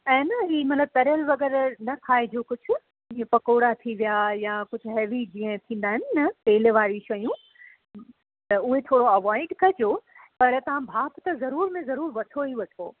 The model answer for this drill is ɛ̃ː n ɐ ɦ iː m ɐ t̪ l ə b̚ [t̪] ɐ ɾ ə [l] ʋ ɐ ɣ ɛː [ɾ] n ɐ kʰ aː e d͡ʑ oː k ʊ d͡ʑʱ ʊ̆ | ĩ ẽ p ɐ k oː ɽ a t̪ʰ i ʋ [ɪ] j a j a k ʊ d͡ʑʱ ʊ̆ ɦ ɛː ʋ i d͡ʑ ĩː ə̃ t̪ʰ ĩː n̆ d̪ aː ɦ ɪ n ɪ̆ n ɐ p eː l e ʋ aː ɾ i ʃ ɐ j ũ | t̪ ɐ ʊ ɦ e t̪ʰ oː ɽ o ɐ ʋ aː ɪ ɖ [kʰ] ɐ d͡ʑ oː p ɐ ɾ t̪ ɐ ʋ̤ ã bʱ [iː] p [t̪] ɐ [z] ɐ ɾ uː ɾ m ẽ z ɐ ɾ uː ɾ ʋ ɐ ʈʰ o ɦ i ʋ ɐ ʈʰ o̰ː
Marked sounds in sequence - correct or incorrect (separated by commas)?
correct, correct, correct, incorrect, incorrect, incorrect, correct, correct